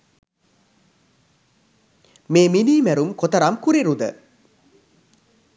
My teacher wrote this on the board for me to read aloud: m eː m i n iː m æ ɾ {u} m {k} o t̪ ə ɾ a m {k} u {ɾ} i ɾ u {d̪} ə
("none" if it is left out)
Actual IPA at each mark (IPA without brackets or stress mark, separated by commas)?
u, k, k, ɾ, d̪